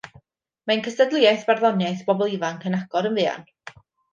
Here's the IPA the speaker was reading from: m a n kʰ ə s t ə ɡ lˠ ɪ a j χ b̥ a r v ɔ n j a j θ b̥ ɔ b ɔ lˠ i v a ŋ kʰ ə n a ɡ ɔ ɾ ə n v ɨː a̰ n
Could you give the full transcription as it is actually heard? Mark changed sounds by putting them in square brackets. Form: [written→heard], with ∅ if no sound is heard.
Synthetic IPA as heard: m a n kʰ ə s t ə [ɡ→d] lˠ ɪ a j [χ→θ] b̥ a r [v→ð] ɔ n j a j θ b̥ ɔ b ɔ lˠ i v a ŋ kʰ ə n a ɡ ɔ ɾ ə n v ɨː a̰ n